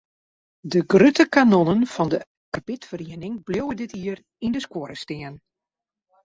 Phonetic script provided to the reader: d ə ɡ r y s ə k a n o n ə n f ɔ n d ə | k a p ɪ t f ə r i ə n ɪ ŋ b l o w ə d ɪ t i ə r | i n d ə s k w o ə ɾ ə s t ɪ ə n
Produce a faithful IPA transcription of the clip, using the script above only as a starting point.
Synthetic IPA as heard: d ə ɡ r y t ə k a n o n ə n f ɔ n d ə | k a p ɪ t f ə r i ə n ɪ ŋ b l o w ə d ɪ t i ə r | i n d ə s k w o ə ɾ ə s t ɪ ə n